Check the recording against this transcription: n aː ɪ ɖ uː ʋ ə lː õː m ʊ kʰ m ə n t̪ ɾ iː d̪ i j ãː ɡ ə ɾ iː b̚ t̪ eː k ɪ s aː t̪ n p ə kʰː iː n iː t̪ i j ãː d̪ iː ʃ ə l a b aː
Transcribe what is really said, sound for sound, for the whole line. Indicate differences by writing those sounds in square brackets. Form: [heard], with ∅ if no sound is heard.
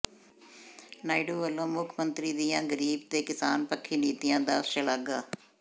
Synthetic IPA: n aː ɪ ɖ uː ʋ ə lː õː m ʊ kʰ m ə n t̪ ɾ iː d̪ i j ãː ɡ ə ɾ iː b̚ t̪ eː k ɪ s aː [∅] n p ə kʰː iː n iː t̪ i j ãː d̪ [aː] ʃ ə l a [ɡ] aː